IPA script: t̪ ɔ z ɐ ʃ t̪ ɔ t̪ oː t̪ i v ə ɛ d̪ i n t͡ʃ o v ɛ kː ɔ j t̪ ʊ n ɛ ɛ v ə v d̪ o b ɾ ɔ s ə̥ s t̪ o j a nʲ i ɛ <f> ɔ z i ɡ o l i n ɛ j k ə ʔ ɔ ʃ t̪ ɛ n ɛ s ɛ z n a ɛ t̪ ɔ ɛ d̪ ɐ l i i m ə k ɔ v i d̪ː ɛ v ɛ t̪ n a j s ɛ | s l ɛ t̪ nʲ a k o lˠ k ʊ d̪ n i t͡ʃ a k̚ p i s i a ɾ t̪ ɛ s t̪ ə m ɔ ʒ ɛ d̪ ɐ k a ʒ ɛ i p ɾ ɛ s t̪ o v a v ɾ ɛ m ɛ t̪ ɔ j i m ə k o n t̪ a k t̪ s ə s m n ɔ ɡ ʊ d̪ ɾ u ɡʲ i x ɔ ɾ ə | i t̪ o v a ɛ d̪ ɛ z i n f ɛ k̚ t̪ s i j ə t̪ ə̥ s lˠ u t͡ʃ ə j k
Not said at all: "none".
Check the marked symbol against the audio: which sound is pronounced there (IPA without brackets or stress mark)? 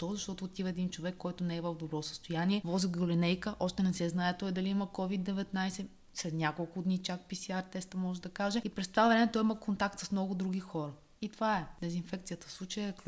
v